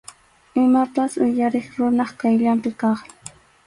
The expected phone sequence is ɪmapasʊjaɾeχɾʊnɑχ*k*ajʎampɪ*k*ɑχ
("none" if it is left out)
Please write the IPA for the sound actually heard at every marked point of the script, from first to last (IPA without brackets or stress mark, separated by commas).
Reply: k, k